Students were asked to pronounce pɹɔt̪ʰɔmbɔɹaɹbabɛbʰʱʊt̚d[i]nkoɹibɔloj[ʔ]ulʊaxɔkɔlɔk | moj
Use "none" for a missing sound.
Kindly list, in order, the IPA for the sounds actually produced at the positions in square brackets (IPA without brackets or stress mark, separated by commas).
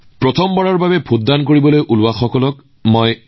a, ʔ